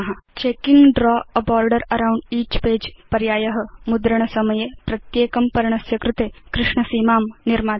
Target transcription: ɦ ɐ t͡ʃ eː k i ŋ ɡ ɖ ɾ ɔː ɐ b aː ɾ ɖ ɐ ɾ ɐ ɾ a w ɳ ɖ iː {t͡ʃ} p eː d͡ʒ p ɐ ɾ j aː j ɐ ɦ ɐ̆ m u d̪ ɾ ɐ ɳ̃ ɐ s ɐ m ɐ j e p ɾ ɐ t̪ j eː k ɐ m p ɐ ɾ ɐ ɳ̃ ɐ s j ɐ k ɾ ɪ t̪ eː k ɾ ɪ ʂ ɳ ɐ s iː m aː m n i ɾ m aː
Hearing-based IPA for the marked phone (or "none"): t͡ʃ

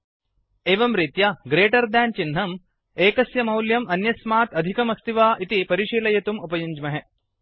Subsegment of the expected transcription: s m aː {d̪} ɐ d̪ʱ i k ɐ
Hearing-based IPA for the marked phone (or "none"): t̪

